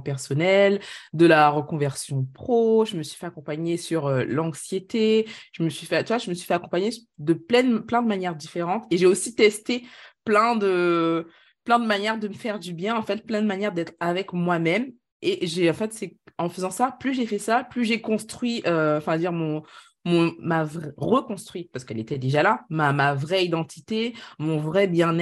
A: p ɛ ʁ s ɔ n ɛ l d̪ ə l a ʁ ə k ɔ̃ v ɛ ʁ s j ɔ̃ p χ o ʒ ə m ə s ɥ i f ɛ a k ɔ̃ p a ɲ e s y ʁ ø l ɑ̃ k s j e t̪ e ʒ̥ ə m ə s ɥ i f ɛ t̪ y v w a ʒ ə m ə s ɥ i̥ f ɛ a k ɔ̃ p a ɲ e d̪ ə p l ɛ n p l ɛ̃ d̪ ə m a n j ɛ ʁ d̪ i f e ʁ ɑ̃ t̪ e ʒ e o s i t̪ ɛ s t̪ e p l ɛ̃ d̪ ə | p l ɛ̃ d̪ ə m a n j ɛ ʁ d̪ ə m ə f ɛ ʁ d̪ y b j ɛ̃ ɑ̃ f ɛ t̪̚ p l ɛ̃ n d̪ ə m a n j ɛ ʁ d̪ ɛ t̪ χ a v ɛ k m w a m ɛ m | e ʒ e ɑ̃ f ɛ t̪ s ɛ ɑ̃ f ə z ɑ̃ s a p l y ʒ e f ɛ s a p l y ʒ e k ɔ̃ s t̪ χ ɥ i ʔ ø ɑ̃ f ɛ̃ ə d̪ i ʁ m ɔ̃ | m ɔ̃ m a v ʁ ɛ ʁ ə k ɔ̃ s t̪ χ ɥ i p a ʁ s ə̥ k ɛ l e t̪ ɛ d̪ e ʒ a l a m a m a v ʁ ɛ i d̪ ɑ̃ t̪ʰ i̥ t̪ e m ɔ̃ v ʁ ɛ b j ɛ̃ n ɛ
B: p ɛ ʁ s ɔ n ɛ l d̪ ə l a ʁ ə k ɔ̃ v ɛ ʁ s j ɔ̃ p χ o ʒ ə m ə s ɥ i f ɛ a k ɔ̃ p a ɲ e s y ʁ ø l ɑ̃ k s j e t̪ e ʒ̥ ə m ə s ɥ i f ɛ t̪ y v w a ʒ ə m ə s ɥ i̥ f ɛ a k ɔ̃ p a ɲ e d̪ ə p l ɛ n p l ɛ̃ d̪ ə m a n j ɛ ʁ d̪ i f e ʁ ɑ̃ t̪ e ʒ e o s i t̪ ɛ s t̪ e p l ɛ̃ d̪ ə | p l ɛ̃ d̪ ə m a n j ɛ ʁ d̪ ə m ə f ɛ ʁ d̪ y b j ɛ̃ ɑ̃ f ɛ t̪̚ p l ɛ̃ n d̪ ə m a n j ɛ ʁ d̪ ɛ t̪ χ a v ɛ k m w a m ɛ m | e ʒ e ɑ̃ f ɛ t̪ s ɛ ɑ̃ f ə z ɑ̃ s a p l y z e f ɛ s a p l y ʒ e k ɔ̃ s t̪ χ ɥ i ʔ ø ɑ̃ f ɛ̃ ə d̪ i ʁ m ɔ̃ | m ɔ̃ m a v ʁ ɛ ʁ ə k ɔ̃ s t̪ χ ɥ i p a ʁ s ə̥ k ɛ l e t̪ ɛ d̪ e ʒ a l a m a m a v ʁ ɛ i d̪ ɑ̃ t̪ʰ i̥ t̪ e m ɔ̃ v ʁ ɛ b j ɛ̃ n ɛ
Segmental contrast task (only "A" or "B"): A